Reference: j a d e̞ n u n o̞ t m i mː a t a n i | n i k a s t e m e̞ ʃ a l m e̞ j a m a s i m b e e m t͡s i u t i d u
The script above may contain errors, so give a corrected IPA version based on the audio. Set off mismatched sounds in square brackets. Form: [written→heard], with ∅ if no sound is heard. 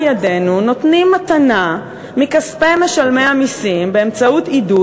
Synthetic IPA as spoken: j a d e̞ n u n o̞ t [m→n] i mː a t a n [i→a] | [n→m] i k a s [t→p] e m e̞ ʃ a l m e̞ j a m [a→i] s i m b e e m t͡s [i→a] u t i d u